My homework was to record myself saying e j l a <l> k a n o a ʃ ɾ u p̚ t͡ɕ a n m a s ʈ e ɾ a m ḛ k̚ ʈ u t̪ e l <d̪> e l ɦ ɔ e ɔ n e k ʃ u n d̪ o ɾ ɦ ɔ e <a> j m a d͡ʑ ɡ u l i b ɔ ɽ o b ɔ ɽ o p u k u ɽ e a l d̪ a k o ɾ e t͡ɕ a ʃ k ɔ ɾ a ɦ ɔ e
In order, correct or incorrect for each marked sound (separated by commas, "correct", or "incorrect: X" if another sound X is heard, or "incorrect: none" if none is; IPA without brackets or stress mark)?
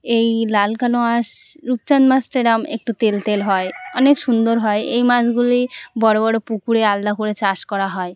correct, incorrect: t̪, incorrect: e